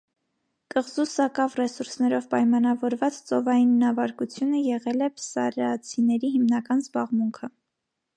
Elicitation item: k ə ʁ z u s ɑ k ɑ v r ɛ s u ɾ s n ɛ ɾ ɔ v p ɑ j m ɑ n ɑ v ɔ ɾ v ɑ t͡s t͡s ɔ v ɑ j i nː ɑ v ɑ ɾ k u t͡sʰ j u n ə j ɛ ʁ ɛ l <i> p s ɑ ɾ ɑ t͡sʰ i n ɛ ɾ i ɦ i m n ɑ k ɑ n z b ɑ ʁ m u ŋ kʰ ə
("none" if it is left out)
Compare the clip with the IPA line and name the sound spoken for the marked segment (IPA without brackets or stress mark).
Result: ɛ